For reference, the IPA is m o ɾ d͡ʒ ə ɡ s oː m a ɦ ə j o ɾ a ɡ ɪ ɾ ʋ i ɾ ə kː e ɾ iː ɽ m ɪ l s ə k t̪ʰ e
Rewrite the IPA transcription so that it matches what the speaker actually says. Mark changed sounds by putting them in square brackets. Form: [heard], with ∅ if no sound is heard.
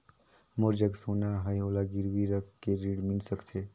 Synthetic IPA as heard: m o ɾ d͡ʒ ə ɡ s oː [n] a ɦ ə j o [l] a ɡ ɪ ɾ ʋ i ɾ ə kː e ɾ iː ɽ m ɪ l s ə k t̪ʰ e